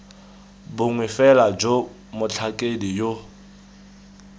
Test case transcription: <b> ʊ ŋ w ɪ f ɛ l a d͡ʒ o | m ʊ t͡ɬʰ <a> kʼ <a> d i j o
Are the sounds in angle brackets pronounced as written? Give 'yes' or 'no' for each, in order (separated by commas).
yes, yes, no